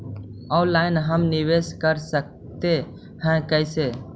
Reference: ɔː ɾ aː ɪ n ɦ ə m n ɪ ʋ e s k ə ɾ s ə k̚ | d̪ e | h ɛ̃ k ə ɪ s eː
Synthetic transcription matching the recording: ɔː l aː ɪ n ɦ ə m n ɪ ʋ e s k ə ɾ s ə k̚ | t̪ e | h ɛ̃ k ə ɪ s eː